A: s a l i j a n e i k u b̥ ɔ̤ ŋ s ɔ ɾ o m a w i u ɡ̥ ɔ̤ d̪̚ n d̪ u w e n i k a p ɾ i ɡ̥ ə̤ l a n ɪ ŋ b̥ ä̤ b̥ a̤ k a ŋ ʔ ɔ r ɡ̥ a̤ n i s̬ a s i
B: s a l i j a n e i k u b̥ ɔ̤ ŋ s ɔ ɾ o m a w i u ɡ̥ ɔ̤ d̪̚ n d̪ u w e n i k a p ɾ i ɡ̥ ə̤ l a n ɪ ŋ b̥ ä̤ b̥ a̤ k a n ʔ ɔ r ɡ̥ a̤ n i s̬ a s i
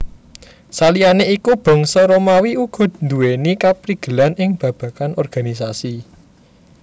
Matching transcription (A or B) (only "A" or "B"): B